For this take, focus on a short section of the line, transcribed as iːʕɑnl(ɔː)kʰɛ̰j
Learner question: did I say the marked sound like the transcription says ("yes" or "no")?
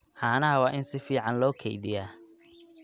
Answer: yes